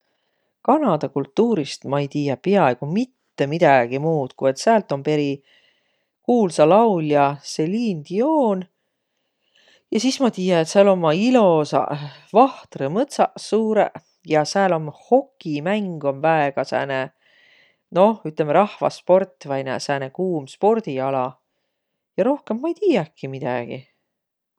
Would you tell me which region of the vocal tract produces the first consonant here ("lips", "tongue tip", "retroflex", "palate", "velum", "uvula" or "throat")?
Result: velum